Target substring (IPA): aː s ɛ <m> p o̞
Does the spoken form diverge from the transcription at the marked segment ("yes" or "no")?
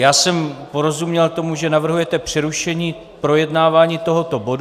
no